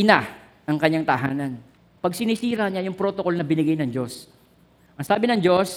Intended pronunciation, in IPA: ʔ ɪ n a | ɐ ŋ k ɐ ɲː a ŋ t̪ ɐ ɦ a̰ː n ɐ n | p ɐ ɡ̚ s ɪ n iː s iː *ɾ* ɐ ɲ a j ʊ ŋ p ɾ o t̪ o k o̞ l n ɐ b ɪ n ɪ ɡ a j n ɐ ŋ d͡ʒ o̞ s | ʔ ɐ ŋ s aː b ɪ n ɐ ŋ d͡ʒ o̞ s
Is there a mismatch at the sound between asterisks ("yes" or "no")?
no